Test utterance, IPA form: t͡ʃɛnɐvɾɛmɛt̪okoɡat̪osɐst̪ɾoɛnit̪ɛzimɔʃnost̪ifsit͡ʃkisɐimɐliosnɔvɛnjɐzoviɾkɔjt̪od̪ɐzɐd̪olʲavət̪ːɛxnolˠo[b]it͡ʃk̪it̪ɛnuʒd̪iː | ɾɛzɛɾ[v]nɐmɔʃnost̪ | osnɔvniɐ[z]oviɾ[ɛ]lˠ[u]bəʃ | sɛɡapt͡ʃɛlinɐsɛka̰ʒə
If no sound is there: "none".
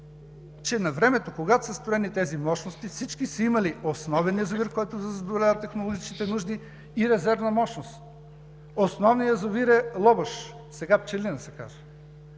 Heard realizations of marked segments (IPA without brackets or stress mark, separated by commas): ɡ, v, z, ɛ, ɔ